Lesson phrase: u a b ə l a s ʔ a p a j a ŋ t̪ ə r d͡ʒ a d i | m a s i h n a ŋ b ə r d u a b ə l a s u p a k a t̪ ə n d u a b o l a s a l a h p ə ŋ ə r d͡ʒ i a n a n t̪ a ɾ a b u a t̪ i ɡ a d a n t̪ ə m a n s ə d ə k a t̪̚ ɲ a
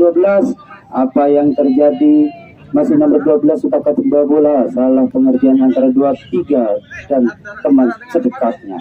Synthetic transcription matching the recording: u a b ə l a s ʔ a p a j a ŋ t̪ ə r d͡ʒ a d i | m a s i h n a m b ə r d u a b ə l a s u p a k a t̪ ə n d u a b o l a s a l a h p ə ŋ ə r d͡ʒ i a n a n t̪ a ɾ a d u a t̪ i ɡ a d a n t̪ ə m a n s ə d ə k a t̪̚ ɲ a